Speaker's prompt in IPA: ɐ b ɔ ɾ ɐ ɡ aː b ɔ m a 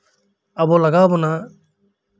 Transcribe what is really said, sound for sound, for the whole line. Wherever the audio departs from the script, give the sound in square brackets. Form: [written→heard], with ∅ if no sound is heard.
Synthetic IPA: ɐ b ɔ [ɾ→l] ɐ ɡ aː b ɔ [m→n] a